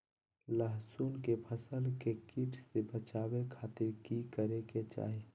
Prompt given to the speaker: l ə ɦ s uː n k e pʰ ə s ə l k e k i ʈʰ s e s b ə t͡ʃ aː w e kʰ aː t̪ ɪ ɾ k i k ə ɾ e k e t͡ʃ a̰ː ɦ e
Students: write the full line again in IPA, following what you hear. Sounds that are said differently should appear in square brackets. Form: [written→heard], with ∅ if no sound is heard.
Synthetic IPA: l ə ɦ s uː n k e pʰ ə s ə l k e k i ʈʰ s e [s→∅] b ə t͡ʃ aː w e kʰ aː t̪ ɪ ɾ k i k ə ɾ e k e t͡ʃ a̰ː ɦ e